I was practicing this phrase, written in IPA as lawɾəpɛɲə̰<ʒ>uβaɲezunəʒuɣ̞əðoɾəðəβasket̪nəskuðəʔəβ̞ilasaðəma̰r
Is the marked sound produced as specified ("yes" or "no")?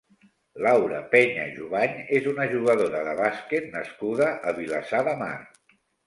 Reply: yes